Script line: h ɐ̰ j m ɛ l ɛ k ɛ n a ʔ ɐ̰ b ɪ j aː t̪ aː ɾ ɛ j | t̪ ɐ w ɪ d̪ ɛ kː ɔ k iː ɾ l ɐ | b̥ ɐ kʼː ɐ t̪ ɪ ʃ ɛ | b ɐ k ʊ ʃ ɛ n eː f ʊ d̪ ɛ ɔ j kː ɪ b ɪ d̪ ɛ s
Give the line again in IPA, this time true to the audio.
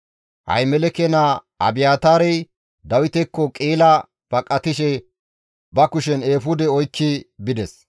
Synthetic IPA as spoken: h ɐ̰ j m ɛ l ɛ k ɛ n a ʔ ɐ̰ b ɪ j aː t̪ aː ɾ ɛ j | d̪ ɐ w ɪ t̪ ɛ kː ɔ kʼ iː l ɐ | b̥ ɐ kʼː ɐ t̪ ɪ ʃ ɛ | b ɐ k ʊ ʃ ɛ n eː f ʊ d̪ ɛ ɔ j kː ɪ b ɪ d̪ ɛ s